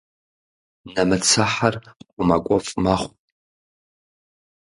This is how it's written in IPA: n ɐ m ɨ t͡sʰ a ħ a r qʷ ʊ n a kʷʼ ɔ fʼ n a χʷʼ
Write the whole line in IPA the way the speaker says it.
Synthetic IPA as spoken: n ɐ m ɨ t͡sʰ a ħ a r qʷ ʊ m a kʷʼ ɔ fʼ m a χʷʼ